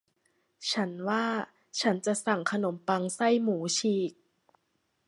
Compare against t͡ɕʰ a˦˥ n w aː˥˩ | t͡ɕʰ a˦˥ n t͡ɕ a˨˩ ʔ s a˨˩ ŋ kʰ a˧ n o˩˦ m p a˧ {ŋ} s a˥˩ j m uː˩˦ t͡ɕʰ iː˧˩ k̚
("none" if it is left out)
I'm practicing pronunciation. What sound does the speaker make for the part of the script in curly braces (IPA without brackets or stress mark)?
ŋ